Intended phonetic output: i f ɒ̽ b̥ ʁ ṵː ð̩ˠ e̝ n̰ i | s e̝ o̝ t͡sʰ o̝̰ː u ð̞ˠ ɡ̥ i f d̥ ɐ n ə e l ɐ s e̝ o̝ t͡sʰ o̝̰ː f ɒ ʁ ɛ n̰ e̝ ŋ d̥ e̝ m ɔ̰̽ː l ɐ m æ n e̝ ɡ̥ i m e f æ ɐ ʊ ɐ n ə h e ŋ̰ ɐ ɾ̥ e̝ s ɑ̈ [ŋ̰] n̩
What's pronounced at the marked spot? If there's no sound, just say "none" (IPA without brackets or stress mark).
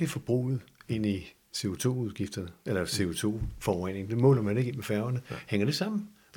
m̰